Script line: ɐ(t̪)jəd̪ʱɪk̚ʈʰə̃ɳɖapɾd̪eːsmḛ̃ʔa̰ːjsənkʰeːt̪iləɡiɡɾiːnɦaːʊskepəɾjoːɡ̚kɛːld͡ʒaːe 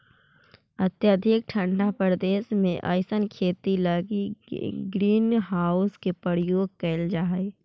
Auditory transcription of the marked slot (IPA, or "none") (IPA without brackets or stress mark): t̪